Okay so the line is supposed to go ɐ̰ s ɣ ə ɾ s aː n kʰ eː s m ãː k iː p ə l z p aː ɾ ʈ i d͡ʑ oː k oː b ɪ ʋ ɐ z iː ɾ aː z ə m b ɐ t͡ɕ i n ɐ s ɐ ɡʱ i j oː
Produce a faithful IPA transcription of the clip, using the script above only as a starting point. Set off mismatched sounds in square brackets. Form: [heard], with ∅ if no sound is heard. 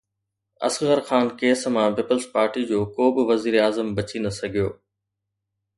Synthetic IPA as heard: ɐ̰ s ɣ ə ɾ [x] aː n [k] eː s m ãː [p] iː p ə l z p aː ɾ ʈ i d͡ʑ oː k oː b ɪ ʋ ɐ z iː ɾ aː z ə m b ɐ t͡ɕ i n ɐ s ɐ ɡʱ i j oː

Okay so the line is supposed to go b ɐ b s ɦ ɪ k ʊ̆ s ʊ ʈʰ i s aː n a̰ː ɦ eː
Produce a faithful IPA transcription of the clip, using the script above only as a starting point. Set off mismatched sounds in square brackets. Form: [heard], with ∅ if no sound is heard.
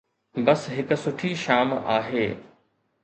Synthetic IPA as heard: b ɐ [∅] s ɦ ɪ k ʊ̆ s ʊ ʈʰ i [ʃ] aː [m] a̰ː ɦ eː

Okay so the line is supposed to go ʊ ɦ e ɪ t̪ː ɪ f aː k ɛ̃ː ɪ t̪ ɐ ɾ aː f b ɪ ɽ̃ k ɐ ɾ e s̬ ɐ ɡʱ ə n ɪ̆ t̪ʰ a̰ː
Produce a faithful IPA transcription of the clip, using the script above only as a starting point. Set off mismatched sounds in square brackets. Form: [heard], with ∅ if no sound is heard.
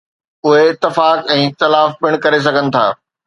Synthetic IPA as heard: ʊ ɦ e ɪ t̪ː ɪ f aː k ɛ̃ː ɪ t̪ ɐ [l] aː f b ɪ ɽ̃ k ɐ ɾ e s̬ ɐ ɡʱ ə n ɪ̆ t̪ʰ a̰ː

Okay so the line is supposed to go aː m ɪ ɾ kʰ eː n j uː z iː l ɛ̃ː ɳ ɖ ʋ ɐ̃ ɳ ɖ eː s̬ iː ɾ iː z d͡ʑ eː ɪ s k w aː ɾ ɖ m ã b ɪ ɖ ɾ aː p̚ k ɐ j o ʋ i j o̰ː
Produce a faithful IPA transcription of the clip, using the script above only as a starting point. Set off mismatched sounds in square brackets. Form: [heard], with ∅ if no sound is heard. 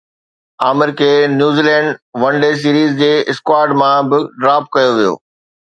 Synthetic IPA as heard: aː m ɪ ɾ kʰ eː n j uː z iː l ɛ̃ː ɳ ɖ ʋ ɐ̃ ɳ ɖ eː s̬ iː ɾ iː z d͡ʑ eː ɪ s k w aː ɾ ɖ m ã b ɪ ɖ ɾ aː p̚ k ɐ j o ʋ i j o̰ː

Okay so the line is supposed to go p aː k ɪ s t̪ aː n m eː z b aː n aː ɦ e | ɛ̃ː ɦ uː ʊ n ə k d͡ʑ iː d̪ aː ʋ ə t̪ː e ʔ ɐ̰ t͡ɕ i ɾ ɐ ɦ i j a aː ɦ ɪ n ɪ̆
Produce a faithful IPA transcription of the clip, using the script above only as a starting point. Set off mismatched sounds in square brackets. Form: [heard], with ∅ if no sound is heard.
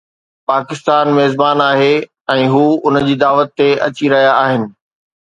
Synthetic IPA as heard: p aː k ɪ s t̪ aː n m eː z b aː n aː ɦ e | ɛ̃ː ɦ uː ʊ n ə [∅] d͡ʑ iː d̪ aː ʋ ə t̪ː e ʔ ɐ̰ t͡ɕ i ɾ ɐ ɦ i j a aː ɦ ɪ n ɪ̆

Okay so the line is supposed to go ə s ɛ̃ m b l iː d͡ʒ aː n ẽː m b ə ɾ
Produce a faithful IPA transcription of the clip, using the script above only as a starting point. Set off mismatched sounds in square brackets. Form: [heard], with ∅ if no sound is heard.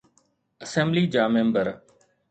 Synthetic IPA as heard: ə s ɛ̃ m b l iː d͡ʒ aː [m] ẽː m b ə ɾ

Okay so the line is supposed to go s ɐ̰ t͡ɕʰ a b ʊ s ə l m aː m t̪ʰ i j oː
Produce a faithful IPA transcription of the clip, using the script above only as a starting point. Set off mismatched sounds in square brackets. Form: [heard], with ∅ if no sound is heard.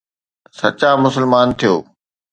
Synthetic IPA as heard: s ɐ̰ [t͡ɕ] a [m] ʊ s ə l m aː [n] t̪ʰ i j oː

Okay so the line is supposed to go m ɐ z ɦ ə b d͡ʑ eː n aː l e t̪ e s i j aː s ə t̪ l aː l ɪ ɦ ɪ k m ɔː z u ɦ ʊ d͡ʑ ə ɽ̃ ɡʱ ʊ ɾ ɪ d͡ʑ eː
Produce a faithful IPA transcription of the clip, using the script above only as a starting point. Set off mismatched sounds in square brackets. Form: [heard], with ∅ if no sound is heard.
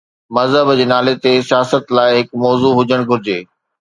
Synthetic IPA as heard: m ɐ z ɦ ə b d͡ʑ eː n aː l e t̪ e s i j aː s ə t̪ l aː [∅] ɪ ɦ ɪ k m ɔː z u ɦ ʊ d͡ʑ ə ɽ̃ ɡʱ ʊ ɾ ɪ d͡ʑ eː

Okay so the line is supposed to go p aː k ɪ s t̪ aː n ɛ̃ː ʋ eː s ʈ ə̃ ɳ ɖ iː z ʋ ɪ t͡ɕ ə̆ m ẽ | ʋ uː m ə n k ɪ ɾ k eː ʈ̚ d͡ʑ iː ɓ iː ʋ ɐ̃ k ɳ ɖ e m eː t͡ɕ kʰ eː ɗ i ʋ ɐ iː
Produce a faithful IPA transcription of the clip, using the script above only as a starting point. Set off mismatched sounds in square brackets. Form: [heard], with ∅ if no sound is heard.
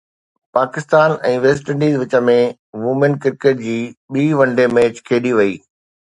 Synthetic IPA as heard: p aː k ɪ s t̪ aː n ɛ̃ː ʋ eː s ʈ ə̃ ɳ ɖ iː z ʋ ɪ t͡ɕ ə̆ m ẽ | ʋ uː m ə n k ɪ ɾ k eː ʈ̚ d͡ʑ iː ɓ iː ʋ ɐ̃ [∅] ɳ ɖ e m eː t͡ɕ kʰ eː ɗ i ʋ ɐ iː

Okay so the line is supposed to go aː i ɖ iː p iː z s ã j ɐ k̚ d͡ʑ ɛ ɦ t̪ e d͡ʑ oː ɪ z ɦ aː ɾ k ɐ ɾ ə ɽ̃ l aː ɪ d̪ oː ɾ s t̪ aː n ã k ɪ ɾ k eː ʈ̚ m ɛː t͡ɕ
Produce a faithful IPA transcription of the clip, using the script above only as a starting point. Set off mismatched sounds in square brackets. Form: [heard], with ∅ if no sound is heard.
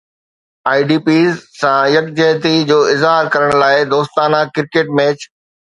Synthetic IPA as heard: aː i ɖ iː p iː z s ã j ɐ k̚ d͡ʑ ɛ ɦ t̪ [i] d͡ʑ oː ɪ z ɦ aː ɾ k ɐ ɾ ə ɽ̃ l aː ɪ d̪ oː [∅] s t̪ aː n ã k ɪ ɾ k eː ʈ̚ m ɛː t͡ɕ

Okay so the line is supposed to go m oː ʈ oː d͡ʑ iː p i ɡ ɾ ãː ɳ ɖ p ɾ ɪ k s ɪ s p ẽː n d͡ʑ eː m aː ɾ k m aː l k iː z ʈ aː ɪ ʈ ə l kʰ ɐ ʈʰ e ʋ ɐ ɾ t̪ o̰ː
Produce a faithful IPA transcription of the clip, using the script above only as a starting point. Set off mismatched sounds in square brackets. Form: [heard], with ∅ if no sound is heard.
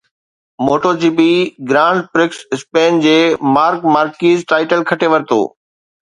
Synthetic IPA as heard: m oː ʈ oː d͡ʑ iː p i ɡ ɾ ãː ɳ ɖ p ɾ ɪ k s ɪ s p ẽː n d͡ʑ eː m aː ɾ k m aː [ɾ] k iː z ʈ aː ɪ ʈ ə l kʰ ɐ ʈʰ e ʋ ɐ ɾ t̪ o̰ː

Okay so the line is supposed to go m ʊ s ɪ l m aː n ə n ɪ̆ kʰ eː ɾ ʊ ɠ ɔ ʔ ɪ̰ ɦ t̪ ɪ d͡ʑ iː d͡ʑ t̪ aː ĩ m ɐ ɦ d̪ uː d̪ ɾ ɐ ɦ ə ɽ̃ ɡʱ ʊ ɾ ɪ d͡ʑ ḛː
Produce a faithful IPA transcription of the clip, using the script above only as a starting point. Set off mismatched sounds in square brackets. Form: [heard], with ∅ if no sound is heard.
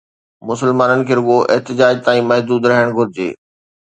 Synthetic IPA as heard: m ʊ s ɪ l m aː n ə n ɪ̆ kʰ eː ɾ ʊ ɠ [o] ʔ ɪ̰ ɦ t̪ ɪ d͡ʑ [aː] d͡ʑ t̪ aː ĩ m ɐ ɦ d̪ uː d̪ ɾ ɐ ɦ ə ɽ̃ ɡʱ ʊ ɾ ɪ d͡ʑ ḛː

